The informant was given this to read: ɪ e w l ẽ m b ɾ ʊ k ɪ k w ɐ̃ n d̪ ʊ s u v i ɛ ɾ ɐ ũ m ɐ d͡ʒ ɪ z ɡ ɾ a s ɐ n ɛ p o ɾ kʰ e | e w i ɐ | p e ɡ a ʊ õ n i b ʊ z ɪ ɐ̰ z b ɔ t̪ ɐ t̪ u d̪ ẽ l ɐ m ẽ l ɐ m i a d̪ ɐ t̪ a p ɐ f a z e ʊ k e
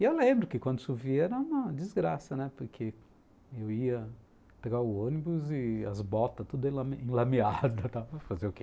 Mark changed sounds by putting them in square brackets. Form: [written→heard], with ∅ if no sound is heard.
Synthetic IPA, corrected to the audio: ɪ e w l ẽ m b ɾ ʊ k ɪ k w ɐ̃ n d̪ ʊ s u v i ɛ ɾ ɐ ũ m ɐ d͡ʒ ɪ z ɡ ɾ a s ɐ n ɛ p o ɾ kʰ e | e w i ɐ | p e ɡ a ʊ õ n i b ʊ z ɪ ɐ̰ z b ɔ t̪ ɐ t̪ u d̪ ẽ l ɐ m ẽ l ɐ m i a d̪ ɐ t̪ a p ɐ f a z e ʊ k e